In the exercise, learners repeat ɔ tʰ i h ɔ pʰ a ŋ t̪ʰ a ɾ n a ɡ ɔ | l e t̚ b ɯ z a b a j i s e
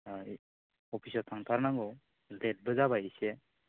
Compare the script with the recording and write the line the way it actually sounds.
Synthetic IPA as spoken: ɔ pʰ i s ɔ tʰ a ŋ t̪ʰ a ɾ n a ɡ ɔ | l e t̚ b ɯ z a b a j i s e

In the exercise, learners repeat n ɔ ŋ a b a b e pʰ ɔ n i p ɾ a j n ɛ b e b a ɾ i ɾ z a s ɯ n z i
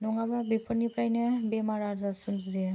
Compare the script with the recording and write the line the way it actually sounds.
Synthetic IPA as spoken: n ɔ ŋ a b a b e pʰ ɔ n i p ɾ a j n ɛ b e m a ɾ a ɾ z a s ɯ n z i

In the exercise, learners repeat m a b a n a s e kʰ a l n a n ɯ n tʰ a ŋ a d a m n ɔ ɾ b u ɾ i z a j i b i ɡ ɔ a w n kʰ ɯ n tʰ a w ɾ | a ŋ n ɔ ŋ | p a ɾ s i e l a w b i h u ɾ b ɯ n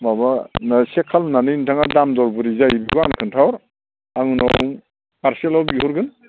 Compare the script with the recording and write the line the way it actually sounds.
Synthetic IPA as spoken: m a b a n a s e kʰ a l n a n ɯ n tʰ a ŋ a d a m d ɔ ɾ b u ɾ i z a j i b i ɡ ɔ a n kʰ ɯ n tʰ a w ɾ | a ŋ n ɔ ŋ | p a ɾ s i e l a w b i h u ɾ ɡ ɯ n

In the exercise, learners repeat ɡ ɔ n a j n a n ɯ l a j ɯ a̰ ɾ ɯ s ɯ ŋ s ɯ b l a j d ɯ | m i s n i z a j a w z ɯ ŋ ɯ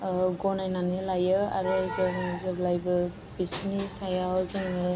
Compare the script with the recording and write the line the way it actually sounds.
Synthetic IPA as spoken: ɡ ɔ n a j n a n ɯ l a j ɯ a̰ ɾ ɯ z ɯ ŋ z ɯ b l a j b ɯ | b i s n i s a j a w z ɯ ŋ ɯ

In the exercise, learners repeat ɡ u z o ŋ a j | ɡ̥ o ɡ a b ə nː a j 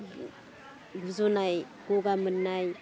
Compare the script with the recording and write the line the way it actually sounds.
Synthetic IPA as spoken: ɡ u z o n a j | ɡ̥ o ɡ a m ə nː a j

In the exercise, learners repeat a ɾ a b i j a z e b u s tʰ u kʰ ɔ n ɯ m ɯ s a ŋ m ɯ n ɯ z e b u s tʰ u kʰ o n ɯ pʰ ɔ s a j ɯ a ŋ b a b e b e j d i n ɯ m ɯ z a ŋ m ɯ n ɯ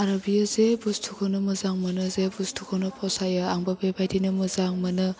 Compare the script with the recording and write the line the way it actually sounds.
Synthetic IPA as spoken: a ɾ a b i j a z e b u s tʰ u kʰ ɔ n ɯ m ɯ z a ŋ m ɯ n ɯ z e b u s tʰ u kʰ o n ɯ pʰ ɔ s a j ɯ a ŋ b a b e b a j d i n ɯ m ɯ z a ŋ m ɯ n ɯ

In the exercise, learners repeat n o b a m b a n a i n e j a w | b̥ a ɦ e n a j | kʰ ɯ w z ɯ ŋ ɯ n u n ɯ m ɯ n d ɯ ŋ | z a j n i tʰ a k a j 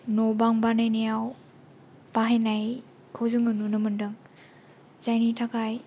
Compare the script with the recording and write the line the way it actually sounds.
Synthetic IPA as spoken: n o b a ŋ b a n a j n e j a w | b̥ a ɦ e n a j | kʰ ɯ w z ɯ ŋ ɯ n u n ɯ m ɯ n d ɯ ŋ | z a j n i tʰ a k a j

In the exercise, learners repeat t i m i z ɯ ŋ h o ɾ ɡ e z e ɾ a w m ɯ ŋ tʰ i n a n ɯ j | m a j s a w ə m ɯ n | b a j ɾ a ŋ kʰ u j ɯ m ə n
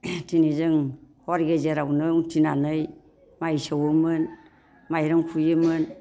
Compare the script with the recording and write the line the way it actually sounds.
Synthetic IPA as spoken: t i n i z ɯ ŋ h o ɾ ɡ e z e ɾ a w n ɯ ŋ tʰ i n a n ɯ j | m a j s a w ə m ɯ n | m a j ɾ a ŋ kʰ u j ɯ m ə n

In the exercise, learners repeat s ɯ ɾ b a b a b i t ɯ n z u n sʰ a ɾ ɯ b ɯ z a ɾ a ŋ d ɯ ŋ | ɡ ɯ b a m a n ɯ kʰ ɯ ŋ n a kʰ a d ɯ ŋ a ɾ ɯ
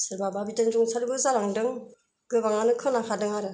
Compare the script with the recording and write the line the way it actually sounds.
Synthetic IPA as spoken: s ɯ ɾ b a b a b i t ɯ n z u ŋ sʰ a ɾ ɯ b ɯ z a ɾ a ŋ d ɯ ŋ | ɡ ɯ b a ŋ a n ɯ kʰ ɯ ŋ n a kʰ a d ɯ ŋ a ɾ ɯ

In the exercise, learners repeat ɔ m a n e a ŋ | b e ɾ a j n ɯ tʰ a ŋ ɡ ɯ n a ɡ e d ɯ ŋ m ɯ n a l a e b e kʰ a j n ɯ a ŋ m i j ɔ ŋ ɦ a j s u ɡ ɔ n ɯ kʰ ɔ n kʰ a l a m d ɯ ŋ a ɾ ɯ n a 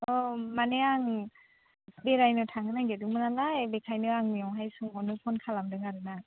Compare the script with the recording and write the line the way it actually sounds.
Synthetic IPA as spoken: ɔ m a n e a ŋ | b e ɾ a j n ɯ tʰ a ŋ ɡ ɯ n a ɡ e d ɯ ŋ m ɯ n a l a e b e kʰ a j n ɯ a ŋ m i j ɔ ŋ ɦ a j s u ŋ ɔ n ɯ pʰ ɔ n kʰ a l a m d ɯ ŋ a ɾ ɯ n a

